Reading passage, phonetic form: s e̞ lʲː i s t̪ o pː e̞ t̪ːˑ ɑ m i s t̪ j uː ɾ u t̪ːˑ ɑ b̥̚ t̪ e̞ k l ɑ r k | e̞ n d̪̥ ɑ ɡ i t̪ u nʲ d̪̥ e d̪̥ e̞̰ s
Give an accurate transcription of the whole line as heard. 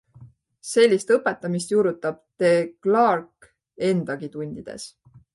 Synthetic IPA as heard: s e̞ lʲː i s t̪ ɤ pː e̞ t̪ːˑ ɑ m i s t̪ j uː ɾ u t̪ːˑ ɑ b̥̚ t̪ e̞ k l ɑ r k | e̞ n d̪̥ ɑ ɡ i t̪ u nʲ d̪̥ i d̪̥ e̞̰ s